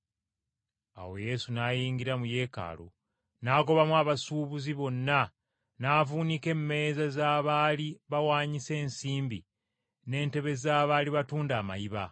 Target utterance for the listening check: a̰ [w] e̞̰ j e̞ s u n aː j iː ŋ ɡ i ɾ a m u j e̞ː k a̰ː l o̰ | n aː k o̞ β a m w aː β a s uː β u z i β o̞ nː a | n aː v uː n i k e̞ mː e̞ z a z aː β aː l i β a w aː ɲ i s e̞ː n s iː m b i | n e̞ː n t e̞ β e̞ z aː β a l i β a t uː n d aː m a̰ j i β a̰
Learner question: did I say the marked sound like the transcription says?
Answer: yes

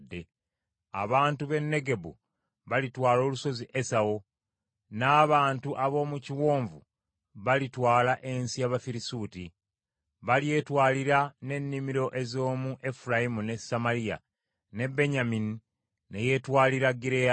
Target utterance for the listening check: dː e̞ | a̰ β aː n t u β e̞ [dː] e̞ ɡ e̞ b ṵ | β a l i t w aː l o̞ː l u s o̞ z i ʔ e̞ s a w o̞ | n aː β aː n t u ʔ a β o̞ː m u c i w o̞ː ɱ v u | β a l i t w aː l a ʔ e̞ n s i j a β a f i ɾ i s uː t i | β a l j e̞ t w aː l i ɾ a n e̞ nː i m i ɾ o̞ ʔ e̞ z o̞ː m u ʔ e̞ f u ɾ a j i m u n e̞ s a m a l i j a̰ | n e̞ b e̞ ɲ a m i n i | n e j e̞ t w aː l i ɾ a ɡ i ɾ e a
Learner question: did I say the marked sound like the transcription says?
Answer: no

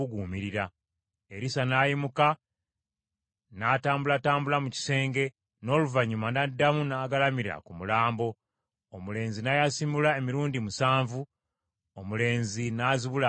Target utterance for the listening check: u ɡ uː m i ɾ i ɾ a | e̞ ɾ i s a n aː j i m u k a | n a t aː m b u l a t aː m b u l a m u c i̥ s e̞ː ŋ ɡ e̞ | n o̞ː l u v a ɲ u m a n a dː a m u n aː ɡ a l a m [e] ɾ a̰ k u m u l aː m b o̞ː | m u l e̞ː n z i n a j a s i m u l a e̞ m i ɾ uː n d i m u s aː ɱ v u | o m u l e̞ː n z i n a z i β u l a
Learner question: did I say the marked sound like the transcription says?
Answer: no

